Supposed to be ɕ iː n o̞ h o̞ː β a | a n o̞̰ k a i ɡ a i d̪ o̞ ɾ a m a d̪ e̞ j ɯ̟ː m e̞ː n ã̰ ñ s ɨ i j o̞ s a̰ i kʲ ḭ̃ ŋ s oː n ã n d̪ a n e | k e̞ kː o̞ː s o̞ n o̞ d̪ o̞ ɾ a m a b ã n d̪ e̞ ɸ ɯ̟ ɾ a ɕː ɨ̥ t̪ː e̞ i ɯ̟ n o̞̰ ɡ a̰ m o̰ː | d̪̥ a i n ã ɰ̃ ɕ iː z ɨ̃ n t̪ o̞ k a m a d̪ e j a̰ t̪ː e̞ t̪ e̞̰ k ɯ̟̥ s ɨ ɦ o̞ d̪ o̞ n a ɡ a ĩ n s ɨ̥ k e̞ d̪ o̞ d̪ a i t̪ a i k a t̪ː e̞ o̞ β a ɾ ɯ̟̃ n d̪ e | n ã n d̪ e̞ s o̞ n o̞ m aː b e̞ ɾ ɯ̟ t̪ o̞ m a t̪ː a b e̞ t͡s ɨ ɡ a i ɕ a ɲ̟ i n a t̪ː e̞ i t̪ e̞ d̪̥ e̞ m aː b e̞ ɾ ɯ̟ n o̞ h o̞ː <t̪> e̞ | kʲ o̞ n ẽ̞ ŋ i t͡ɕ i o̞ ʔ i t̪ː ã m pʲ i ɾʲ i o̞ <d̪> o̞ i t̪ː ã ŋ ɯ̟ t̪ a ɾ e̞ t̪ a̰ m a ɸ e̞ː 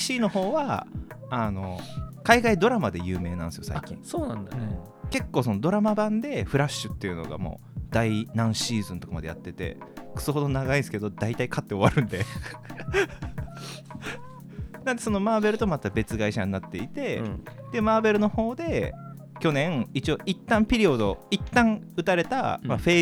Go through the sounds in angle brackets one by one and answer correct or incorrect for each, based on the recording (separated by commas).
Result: incorrect, correct